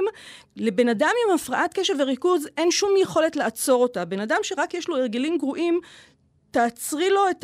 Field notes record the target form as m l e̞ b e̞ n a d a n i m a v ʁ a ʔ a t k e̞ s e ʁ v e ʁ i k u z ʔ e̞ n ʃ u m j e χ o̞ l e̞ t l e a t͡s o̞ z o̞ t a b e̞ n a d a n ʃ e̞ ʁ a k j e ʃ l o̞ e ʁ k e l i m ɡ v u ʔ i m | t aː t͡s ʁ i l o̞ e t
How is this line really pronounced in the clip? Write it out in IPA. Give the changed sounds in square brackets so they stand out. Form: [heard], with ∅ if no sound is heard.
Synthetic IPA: m l e̞ b e̞ n a d a [m] i m a [f] ʁ a ʔ a t k e̞ [ʃ] e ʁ v e ʁ i k u z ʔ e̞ n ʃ u m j e χ o̞ l e̞ t l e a t͡s o̞ [ʁ] o̞ t a b e̞ n a d a [m] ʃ e̞ ʁ a k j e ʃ l o̞ e ʁ [ɡ] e l i m ɡ [ʁ] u ʔ i m | t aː t͡s ʁ i l o̞ e t